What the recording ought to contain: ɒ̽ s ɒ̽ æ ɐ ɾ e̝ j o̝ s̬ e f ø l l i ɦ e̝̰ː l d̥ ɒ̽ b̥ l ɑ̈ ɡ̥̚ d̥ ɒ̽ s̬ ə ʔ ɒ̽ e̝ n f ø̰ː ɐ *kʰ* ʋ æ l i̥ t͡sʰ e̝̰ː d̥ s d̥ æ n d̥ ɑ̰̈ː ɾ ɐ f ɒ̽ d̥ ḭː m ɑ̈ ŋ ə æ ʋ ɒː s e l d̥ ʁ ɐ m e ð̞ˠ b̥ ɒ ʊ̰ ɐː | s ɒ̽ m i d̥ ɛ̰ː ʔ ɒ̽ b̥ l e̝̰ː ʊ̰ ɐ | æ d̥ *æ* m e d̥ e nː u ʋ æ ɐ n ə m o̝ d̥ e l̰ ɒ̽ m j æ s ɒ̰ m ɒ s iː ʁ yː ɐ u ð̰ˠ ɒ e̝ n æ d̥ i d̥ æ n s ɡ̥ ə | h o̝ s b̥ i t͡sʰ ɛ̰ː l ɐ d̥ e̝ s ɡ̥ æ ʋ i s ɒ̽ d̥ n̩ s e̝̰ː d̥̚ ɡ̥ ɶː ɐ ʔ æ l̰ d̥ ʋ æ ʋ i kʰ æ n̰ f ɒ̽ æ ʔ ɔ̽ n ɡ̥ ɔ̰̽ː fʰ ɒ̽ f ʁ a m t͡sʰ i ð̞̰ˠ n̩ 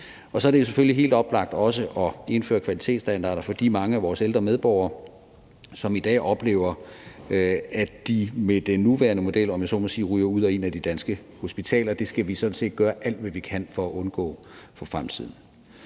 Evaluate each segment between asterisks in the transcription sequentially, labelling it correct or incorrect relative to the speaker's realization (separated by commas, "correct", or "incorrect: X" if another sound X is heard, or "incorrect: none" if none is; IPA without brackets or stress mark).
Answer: correct, incorrect: i